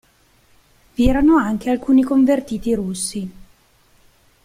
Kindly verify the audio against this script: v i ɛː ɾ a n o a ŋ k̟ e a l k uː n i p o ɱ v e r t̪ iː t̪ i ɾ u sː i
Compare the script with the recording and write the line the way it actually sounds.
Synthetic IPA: v i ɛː ɾ a n o a ŋ k̟ e a l k uː n i k o ɱ v e r t̪ iː t̪ i ɾ u sː i